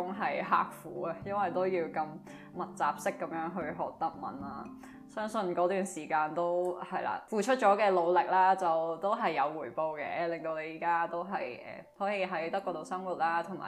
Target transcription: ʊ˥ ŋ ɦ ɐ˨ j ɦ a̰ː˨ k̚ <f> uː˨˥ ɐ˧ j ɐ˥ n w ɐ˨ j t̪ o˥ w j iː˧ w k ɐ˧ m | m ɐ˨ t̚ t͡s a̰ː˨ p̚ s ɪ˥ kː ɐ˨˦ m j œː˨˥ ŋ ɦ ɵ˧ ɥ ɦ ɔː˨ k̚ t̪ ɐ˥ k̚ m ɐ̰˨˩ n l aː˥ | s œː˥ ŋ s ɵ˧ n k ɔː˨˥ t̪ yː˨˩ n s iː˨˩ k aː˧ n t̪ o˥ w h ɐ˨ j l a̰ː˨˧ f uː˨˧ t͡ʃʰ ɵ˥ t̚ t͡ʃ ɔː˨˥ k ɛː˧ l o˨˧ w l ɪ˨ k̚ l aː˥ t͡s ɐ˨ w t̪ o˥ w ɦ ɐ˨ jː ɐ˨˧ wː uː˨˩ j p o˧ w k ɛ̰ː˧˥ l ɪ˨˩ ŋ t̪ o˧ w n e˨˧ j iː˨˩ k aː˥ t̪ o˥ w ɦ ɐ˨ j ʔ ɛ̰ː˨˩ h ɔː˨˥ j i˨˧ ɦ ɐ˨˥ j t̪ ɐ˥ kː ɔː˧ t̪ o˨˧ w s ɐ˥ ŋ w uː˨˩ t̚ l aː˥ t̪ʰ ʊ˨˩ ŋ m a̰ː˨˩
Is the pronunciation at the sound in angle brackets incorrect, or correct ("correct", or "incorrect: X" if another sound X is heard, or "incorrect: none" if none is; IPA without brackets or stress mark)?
correct